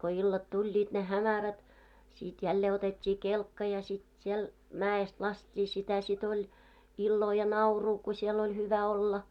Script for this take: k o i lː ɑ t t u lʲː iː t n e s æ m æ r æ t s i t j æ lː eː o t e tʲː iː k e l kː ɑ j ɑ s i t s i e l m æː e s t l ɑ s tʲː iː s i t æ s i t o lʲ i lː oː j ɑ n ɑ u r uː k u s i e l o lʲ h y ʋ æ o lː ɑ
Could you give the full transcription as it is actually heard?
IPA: k o i lː ɑ t t u lʲː iː t n e h æ m æ r æ t s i t j æ lː eː o t e tʲː iː k e l kː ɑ j ɑ s i t s i e l m æː e s t l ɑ s tʲː iː s i t æ s i t o lʲ i lː oː j ɑ n ɑ u r uː k u s i e l o lʲ h y ʋ æ o lː ɑ